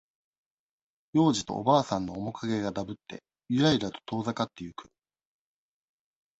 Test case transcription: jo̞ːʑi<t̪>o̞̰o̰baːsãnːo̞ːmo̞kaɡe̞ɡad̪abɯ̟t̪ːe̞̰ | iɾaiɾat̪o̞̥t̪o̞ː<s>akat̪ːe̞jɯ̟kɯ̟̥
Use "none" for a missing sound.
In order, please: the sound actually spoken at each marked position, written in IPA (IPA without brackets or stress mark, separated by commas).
t̪, z